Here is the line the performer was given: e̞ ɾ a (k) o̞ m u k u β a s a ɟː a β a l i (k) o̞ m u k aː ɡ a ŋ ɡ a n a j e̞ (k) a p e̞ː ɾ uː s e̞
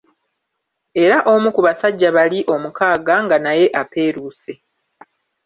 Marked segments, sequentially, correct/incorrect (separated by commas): incorrect, incorrect, incorrect